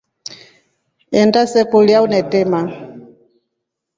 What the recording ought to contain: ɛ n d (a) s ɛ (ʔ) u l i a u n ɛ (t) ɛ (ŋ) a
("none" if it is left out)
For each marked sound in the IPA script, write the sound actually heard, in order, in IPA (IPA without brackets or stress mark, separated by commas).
a, k, t, m